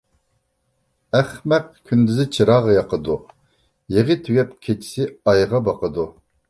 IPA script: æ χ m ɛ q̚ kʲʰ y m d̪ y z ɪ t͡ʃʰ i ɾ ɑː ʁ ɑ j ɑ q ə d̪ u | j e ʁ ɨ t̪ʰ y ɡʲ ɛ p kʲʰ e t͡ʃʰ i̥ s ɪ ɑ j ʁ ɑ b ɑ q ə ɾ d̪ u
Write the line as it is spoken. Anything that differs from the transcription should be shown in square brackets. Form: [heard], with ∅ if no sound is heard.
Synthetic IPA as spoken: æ χ m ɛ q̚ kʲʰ y [n] d̪ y z ɪ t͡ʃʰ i ɾ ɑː ʁ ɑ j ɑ q ə d̪ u | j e ʁ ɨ t̪ʰ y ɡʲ ɛ p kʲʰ e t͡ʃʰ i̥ s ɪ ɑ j ʁ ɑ b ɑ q ə [∅] d̪ u